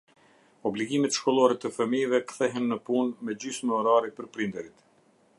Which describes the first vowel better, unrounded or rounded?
rounded